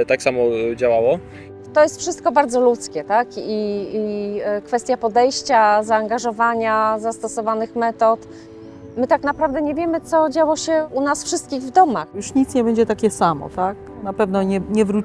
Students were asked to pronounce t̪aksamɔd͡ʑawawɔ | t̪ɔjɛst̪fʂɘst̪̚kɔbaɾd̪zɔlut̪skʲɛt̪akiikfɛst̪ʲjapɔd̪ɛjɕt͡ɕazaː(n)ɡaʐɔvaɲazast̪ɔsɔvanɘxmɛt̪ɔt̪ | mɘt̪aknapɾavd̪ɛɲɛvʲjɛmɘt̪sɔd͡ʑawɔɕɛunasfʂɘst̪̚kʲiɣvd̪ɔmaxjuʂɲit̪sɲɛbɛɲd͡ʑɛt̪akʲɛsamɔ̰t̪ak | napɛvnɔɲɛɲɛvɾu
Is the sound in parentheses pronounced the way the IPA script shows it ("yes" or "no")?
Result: no